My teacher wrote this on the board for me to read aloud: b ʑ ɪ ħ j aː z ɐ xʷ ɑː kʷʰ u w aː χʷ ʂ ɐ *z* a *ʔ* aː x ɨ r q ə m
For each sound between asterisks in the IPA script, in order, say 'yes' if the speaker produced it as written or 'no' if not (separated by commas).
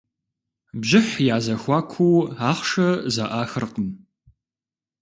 yes, yes